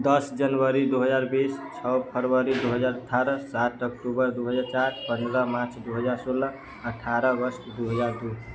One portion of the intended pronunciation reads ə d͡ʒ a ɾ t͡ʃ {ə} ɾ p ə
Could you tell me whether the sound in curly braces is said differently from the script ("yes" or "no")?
yes